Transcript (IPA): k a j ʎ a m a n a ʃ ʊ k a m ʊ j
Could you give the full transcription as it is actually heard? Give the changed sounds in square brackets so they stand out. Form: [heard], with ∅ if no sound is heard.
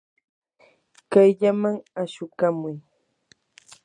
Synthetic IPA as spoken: k a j ʎ a m a [ŋ] a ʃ ʊ k a m ʊ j